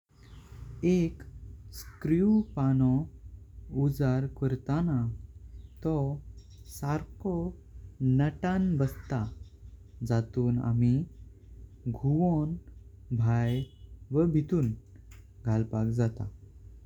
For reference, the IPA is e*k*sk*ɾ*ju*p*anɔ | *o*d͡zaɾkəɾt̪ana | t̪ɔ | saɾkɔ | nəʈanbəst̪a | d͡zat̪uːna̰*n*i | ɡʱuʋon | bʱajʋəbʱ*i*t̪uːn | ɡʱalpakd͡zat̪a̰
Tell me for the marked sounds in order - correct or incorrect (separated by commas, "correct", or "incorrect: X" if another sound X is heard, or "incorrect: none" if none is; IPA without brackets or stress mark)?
correct, correct, correct, incorrect: u, incorrect: m, correct